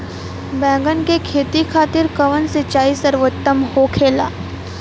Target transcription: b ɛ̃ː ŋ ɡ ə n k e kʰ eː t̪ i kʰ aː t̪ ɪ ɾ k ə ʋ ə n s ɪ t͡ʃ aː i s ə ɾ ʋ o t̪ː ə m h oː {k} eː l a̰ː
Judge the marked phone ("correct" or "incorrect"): incorrect